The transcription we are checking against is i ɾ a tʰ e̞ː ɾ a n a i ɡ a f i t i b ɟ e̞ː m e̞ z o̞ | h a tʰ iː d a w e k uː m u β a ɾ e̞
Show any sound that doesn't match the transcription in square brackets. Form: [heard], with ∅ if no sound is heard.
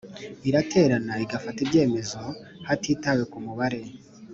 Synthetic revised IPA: i ɾ a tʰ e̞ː ɾ a n a i ɡ a f [a] t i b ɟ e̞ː m e̞ z o̞ | h a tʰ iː [t] a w e k [u] m u β a ɾ e̞